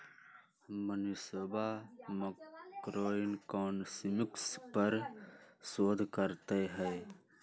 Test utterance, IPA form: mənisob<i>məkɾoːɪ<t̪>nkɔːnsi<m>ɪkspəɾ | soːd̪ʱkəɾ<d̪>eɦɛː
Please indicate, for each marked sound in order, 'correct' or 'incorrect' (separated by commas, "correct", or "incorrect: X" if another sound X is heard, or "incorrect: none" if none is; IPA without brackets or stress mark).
incorrect: a, incorrect: none, correct, incorrect: t̪